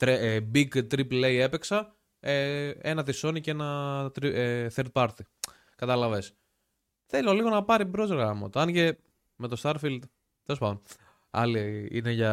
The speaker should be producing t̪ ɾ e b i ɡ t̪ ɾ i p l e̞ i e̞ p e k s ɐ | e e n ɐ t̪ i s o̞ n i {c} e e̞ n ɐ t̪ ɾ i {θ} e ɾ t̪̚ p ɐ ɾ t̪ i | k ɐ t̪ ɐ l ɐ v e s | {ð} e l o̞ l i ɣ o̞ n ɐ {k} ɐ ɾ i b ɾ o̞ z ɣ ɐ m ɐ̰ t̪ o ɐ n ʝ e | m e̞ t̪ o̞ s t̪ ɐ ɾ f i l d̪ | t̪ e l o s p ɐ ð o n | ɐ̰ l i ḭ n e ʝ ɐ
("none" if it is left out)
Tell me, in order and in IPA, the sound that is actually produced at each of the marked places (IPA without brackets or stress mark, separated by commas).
c, θ, θ, p